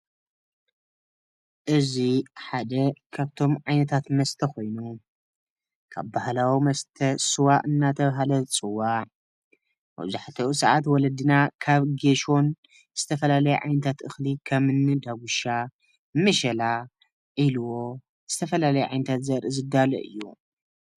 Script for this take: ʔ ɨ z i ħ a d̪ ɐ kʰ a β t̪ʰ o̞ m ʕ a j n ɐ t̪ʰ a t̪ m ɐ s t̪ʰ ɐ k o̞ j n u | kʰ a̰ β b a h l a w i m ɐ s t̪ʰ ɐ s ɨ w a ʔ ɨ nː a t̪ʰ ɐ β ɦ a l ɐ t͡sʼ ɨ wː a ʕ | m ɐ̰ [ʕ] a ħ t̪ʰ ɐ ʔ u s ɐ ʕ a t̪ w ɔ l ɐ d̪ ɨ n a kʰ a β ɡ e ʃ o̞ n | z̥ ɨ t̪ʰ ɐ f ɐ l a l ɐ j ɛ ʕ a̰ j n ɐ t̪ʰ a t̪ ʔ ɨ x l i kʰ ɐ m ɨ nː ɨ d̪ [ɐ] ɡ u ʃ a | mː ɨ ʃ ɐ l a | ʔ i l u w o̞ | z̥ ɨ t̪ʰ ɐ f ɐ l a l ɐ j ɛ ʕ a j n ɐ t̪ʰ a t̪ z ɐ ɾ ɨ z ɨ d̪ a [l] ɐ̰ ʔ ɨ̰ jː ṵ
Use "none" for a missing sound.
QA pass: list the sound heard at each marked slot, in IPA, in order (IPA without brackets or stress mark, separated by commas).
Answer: z, a, l